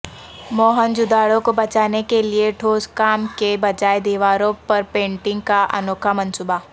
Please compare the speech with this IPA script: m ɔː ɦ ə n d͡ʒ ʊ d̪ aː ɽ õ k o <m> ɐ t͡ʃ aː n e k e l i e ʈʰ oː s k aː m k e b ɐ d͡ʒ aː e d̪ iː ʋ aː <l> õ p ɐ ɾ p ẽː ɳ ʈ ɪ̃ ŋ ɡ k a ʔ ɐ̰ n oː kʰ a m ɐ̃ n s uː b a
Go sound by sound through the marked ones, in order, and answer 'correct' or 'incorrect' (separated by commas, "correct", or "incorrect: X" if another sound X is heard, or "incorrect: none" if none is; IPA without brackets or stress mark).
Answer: incorrect: b, incorrect: ɾ